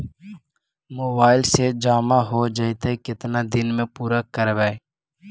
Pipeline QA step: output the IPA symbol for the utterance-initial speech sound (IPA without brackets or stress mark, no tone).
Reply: m